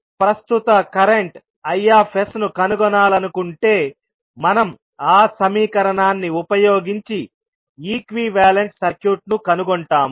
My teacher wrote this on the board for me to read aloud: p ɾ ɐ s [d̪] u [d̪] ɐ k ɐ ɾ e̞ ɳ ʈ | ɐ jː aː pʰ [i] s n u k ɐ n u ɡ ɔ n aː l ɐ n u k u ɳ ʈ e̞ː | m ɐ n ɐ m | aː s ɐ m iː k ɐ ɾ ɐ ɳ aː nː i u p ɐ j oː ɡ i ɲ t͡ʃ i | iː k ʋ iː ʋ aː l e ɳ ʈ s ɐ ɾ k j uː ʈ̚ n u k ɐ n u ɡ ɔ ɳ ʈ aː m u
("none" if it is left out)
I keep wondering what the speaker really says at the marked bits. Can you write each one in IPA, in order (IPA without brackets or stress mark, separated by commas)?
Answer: t̪, t̪, e